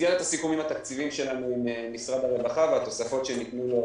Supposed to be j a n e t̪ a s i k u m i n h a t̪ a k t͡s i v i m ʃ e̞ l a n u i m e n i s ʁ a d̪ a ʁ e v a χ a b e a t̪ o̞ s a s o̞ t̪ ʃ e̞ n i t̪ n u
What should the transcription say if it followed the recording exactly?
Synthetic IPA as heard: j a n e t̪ a s i k u m i m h a t̪ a k t͡s i v i m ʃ e̞ l a n u i m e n i s ʁ a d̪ a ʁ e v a χ a v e a t̪ o̞ s a f o̞ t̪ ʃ e̞ n i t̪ n u